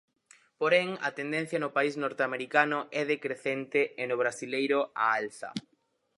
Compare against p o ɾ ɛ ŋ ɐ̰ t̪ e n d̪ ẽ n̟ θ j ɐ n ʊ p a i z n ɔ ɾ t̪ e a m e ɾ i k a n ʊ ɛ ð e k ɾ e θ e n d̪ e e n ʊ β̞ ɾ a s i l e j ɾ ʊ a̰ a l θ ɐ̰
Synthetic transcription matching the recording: p o ɾ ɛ ŋ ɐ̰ t̪ e n d̪ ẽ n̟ θ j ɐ n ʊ p a i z n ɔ ɾ t̪ e a m e ɾ i k a n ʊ ɛ ð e k ɾ e θ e n t̪ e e n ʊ β̞ ɾ a s i l e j ɾ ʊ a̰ a l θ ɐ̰